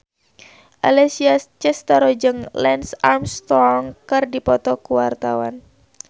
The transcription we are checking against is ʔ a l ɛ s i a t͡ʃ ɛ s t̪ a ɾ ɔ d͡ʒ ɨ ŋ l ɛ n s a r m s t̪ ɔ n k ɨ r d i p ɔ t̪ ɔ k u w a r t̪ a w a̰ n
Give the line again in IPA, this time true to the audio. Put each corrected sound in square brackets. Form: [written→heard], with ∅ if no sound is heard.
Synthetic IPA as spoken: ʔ a l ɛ s i a t͡ʃ ɛ s t̪ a ɾ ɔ d͡ʒ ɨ ŋ l ɛ n s a r m s t̪ ɔ [n→ŋ] k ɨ r d i p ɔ t̪ ɔ k u w a r t̪ a w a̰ n